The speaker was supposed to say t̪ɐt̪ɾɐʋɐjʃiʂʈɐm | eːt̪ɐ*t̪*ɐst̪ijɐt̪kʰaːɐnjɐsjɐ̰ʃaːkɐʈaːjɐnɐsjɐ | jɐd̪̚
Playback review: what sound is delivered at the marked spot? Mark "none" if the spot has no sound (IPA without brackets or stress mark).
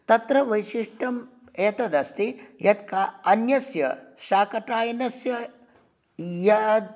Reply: d̪